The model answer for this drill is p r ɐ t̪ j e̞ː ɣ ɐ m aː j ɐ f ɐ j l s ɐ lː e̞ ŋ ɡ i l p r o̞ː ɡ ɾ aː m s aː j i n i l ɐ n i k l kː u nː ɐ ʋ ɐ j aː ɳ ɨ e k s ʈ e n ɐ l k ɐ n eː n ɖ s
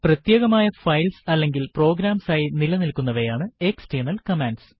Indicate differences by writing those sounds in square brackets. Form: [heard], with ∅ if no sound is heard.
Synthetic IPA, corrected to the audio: p r ɐ t̪ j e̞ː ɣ ɐ m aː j ɐ f ɐ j l s ɐ lː e̞ ŋ ɡ i l p r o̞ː ɡ ɾ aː m s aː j i n i l ɐ n i [∅] l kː u nː ɐ ʋ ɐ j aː ɳ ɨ e k s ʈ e n ɐ l k ɐ [m] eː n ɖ s

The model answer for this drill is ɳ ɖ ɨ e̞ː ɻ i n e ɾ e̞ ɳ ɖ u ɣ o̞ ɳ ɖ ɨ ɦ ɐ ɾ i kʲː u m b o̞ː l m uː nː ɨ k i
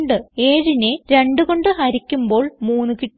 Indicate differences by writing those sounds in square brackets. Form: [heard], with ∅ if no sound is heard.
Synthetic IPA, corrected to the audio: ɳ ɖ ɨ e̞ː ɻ i n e ɾ e̞ ɳ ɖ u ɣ o̞ ɳ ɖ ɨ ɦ ɐ ɾ i kʲː u m b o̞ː [ɭ] m uː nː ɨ k i

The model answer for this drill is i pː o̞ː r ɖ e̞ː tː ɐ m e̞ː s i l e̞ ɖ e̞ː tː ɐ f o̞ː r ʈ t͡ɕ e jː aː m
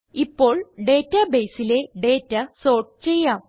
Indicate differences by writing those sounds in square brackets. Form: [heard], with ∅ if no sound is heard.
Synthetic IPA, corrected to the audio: i pː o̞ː [ɭ] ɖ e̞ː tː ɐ [b] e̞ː s i l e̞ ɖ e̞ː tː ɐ [s] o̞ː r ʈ t͡ɕ e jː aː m

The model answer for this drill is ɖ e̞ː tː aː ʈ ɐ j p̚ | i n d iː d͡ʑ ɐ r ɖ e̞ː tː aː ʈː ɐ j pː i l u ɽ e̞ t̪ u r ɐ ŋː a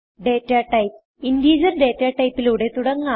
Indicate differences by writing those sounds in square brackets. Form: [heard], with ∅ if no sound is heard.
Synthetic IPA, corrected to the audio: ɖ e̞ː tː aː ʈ ɐ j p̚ | i n d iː d͡ʑ ɐ r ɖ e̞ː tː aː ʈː ɐ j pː i l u ɽ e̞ t̪ u [ɽ] ɐ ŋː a

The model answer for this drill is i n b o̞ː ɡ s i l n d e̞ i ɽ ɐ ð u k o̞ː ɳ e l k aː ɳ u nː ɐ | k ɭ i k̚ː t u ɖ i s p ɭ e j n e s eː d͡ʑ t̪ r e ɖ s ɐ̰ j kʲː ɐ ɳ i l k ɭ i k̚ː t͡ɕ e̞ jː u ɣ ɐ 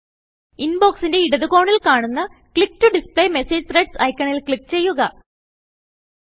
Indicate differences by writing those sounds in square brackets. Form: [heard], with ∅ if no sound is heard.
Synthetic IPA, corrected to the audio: i n b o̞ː [k] s i [∅] n d e̞ i ɽ ɐ ð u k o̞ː ɳ [i] l k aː ɳ u nː ɐ | k ɭ i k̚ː t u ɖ i s p ɭ e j [m] e s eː d͡ʑ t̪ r e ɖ s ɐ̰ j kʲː ɐ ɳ i l k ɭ i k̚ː t͡ɕ e̞ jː u ɣ ɐ

